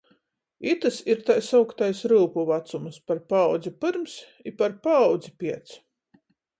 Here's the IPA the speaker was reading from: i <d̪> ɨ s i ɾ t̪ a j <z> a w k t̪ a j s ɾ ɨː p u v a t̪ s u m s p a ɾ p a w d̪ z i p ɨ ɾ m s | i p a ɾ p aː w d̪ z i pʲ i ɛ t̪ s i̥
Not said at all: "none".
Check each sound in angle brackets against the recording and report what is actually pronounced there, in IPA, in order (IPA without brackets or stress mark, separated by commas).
t̪, s